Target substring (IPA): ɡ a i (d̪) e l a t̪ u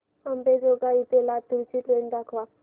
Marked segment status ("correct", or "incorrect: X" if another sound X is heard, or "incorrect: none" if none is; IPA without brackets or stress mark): incorrect: t̪